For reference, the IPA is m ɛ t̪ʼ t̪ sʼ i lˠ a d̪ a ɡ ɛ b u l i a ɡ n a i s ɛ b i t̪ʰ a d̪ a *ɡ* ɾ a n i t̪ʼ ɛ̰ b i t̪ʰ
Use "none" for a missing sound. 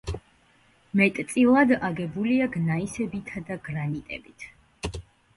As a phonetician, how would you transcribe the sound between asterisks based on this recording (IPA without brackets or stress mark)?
ɡ